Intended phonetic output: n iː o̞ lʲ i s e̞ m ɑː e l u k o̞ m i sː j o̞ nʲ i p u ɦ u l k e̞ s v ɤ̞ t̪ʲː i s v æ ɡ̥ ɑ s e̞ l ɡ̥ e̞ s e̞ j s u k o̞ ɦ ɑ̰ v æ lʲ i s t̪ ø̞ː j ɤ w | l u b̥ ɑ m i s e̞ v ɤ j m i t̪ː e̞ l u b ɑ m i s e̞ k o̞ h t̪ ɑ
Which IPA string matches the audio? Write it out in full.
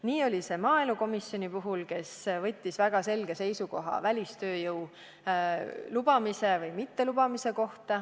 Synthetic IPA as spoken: n iː o̞ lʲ i s e̞ m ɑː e l u k o̞ m i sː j o̞ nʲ i p u ɦ u l k e̞ s v ɤ̞ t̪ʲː i s v æ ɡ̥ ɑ s e̞ l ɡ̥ e̞ s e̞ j s u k o̞ ɦ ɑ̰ v æ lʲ i s t̪ ø̞ː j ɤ w | l u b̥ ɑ m i s e̞ v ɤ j m i t̪ː e̞ l u b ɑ m i s e̞ k o̞ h t̪ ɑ